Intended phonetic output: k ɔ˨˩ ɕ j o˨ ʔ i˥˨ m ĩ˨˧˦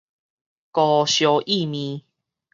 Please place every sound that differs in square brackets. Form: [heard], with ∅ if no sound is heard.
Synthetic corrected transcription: k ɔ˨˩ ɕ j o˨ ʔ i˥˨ m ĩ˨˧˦